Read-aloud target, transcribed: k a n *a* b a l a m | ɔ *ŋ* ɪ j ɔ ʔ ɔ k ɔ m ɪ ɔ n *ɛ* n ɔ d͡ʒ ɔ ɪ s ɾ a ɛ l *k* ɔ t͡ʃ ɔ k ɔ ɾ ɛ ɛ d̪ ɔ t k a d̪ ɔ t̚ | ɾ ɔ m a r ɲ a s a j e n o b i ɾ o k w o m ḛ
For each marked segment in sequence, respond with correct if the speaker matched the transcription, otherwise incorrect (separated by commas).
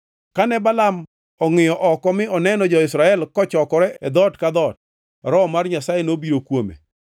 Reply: incorrect, correct, correct, correct